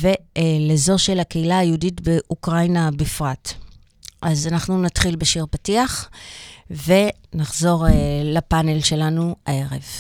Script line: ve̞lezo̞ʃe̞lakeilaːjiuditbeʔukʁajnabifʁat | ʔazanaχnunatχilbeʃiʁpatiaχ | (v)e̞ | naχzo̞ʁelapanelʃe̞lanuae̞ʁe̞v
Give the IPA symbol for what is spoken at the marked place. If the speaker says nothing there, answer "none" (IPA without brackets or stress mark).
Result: v